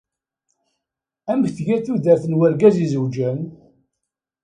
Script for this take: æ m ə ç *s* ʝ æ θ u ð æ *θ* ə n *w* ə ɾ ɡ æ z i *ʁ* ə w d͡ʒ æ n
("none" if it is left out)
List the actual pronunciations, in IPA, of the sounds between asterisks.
θ, θ, w, z

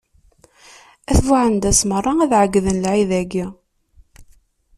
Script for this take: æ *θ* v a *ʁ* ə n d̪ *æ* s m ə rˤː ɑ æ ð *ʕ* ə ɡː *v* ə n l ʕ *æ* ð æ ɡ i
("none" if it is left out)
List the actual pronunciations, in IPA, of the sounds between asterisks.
θ, ʕ, æ, ʕ, ð, i

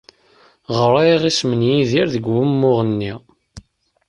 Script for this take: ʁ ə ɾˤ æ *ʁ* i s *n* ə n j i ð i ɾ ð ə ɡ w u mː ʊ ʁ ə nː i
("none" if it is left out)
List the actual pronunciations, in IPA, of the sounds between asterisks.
ʁ, m

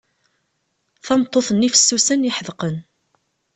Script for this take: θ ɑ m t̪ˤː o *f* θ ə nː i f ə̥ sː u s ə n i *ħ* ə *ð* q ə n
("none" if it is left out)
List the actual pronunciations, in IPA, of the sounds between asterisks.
none, ħ, ð

